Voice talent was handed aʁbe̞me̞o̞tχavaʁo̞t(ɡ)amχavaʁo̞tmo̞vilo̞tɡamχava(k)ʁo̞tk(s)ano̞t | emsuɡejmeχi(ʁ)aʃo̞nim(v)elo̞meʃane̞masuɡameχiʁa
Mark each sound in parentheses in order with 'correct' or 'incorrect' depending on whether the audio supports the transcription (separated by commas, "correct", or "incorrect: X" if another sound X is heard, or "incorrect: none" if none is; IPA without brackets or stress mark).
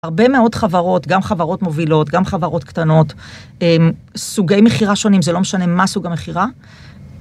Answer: correct, incorrect: none, incorrect: t, correct, incorrect: z